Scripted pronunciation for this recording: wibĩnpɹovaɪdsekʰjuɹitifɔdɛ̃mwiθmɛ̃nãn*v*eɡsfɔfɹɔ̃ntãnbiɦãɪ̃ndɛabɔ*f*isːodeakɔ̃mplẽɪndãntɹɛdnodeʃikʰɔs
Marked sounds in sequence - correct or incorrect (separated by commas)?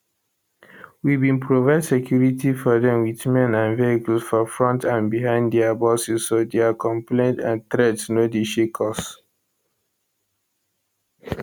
correct, incorrect